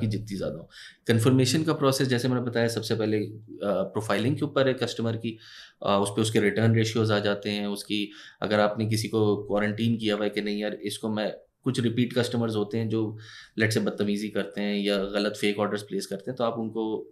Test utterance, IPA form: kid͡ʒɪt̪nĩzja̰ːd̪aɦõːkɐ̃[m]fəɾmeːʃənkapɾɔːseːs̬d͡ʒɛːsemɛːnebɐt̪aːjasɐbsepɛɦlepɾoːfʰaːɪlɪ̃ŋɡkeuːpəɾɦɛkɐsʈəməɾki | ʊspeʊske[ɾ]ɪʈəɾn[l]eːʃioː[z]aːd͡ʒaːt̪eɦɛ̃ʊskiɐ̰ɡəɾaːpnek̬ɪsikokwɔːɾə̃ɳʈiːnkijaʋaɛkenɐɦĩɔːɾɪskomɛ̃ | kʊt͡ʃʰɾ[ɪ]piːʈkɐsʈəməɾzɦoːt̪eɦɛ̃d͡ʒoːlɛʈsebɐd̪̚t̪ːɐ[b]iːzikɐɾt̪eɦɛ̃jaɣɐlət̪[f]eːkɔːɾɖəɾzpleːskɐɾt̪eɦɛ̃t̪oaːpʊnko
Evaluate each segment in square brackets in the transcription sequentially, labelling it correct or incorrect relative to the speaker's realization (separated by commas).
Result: incorrect, correct, incorrect, correct, correct, incorrect, correct